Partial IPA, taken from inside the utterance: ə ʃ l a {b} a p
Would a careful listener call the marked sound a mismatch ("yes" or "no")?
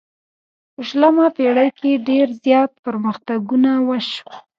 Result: yes